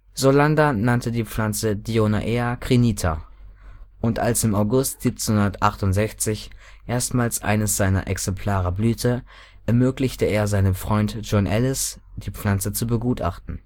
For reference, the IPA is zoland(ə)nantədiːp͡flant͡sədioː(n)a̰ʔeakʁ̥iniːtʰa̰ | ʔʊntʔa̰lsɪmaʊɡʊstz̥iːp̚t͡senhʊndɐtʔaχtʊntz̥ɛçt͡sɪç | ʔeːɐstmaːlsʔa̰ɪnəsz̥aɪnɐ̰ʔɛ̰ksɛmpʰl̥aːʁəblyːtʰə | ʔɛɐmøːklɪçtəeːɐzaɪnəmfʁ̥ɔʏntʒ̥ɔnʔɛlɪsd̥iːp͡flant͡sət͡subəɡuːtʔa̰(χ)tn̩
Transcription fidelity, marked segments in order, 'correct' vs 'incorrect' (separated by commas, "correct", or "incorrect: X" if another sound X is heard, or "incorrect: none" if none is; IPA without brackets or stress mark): incorrect: a, correct, correct